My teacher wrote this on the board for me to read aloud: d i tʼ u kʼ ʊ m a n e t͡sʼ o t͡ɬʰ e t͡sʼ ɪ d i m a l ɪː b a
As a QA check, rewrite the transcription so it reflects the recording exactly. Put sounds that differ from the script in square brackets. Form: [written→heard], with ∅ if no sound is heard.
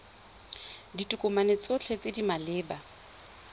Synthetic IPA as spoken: d i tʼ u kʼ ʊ m a n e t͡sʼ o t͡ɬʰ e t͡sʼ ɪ d i m a l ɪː b a